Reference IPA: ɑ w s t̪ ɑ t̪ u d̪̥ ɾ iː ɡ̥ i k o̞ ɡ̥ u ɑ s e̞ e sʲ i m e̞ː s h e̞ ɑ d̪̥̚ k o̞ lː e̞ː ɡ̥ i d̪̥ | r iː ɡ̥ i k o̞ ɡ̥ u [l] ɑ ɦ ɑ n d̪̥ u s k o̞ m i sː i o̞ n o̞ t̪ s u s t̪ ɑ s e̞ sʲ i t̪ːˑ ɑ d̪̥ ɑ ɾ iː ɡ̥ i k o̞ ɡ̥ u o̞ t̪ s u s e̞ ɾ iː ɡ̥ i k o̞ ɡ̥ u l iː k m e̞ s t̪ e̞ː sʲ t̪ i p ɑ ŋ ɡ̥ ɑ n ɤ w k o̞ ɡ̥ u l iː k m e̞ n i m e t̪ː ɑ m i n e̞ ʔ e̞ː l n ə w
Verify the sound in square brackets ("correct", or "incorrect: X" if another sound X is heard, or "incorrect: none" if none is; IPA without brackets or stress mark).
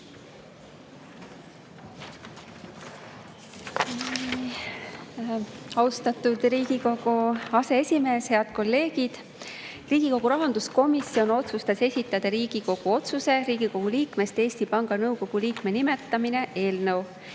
incorrect: ɾ